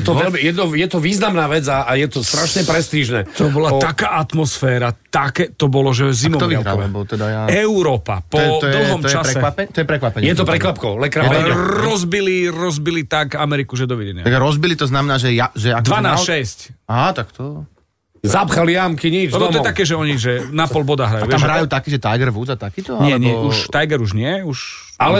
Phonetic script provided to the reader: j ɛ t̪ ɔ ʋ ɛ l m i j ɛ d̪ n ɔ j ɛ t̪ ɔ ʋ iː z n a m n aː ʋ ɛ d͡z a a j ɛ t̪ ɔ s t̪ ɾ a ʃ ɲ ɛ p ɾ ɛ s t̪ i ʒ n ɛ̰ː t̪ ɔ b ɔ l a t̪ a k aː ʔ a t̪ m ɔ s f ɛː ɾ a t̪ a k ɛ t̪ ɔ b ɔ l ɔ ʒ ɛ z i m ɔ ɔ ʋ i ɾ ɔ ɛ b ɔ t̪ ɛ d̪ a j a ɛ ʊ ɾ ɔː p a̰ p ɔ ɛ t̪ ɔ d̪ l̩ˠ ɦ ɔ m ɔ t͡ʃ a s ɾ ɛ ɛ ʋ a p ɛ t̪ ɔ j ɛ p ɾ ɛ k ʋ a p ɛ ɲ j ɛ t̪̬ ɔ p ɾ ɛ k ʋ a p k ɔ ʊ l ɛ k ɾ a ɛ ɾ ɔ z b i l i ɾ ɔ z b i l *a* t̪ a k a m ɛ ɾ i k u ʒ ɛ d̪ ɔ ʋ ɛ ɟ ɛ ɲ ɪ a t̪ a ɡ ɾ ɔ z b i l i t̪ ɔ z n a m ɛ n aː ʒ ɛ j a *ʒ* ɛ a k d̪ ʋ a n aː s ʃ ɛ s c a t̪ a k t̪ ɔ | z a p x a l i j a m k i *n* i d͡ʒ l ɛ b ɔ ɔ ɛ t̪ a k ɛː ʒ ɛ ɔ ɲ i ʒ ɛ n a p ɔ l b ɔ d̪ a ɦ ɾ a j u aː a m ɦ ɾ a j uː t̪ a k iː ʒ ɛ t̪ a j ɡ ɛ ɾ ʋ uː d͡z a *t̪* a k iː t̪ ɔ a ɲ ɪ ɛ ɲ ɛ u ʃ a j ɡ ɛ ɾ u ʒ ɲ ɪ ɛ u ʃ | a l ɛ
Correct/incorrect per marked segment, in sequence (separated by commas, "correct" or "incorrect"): incorrect, correct, incorrect, correct